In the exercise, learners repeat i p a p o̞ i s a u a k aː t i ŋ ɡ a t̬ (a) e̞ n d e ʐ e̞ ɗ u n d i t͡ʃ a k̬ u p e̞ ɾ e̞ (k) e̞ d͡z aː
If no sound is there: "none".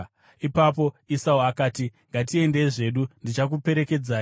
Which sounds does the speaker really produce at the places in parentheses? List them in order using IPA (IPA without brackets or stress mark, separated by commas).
i, k